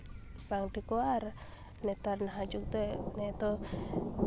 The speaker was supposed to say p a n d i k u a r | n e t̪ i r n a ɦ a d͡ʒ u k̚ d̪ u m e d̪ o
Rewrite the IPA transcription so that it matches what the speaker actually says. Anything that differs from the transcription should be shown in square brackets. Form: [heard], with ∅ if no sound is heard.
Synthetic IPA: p a [ŋ] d i k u a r | n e t̪ [a] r n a ɦ a d͡ʒ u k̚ [t̪] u [n] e [t̪] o